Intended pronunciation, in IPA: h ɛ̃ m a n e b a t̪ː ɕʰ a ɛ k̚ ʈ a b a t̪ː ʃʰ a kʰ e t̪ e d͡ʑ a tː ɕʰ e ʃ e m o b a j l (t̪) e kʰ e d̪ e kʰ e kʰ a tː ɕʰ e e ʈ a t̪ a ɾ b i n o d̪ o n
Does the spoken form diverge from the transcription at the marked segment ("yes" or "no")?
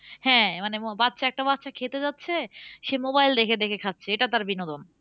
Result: yes